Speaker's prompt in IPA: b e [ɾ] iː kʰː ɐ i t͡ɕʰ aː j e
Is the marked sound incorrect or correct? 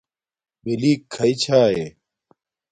incorrect: l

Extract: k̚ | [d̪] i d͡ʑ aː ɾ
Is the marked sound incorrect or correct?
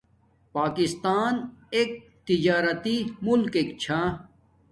incorrect: t̪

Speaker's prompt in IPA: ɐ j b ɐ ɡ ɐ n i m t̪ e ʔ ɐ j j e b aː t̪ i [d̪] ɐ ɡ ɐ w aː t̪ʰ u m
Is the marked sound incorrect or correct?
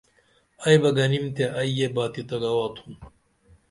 incorrect: t̪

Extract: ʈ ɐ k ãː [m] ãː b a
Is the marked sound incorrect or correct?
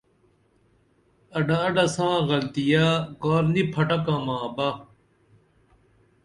correct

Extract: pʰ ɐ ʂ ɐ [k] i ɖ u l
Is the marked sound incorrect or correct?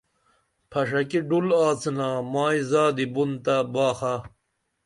correct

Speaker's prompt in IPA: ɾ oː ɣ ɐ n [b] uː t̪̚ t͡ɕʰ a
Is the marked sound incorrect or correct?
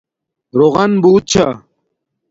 correct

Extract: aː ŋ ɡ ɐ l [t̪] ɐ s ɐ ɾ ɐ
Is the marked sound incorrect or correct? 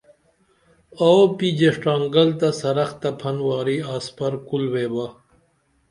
correct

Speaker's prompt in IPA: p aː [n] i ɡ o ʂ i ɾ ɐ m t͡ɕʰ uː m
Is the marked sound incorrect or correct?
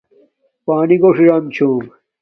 correct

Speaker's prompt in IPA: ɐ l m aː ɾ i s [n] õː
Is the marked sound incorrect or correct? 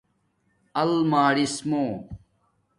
incorrect: m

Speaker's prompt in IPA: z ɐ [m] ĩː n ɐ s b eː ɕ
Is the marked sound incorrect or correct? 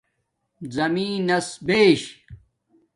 correct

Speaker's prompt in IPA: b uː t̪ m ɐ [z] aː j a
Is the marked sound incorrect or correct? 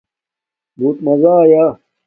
correct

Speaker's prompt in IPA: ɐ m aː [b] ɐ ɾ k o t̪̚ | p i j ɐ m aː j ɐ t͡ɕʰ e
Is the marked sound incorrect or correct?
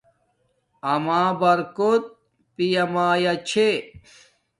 correct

